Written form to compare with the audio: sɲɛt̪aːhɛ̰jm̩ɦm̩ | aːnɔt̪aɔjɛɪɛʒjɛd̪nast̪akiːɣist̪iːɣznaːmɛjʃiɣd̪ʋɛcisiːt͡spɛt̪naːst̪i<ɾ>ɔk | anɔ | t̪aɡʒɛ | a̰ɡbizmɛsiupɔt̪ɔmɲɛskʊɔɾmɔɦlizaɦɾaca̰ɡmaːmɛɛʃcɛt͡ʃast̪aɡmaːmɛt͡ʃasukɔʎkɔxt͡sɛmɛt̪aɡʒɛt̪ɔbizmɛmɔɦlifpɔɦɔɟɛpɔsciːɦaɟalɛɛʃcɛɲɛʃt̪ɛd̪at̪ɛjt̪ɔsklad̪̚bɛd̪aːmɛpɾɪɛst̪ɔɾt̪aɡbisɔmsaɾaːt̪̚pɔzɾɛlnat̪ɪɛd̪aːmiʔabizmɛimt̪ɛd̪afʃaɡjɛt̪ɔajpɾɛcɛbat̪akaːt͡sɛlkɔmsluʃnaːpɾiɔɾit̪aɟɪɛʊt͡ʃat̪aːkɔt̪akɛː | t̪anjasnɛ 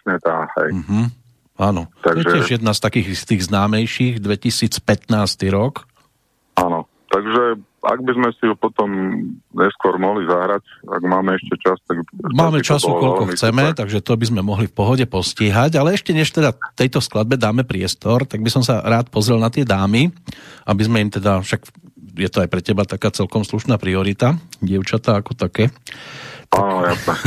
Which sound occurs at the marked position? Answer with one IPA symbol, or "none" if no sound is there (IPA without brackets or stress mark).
ɾ